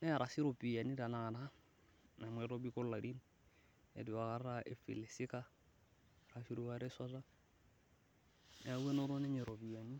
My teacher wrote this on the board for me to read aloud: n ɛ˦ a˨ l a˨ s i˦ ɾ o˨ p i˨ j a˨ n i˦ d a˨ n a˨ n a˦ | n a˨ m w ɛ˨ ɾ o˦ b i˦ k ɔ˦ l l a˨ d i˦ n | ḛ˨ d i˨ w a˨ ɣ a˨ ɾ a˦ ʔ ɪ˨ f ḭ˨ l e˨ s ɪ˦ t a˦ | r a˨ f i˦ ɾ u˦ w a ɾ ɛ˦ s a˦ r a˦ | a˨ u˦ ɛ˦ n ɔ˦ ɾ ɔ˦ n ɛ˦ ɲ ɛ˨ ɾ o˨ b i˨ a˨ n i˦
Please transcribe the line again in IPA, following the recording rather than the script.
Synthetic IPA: n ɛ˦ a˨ ɾ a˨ s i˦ ɾ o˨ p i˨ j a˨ n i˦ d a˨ n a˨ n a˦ | n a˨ m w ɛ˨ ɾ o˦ b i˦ k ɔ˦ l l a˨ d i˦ n | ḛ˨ d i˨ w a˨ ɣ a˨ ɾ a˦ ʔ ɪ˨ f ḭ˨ l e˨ s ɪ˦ k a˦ | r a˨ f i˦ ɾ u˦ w a ɾ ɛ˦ s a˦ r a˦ | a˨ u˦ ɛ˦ n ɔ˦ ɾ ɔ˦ n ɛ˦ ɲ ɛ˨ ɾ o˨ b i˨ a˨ n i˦